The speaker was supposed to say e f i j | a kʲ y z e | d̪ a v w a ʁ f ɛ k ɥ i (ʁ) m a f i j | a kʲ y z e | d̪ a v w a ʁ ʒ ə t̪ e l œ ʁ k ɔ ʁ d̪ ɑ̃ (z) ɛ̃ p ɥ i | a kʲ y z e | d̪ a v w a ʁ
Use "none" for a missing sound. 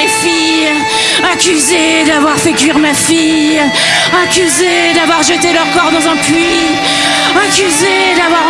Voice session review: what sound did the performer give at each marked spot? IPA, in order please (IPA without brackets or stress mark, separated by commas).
ʁ, z